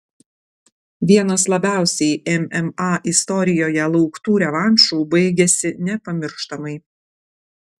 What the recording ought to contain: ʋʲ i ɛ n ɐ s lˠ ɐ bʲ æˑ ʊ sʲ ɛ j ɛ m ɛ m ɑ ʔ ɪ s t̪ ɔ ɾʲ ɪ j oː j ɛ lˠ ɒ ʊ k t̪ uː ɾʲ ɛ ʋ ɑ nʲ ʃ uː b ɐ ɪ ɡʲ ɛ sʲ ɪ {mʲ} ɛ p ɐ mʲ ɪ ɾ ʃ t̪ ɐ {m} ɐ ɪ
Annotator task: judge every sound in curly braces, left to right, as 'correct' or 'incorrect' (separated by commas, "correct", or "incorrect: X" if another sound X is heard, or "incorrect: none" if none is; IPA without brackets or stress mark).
incorrect: nʲ, correct